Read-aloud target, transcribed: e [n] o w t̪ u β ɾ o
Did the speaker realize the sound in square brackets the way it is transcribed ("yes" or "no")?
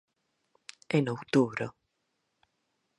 yes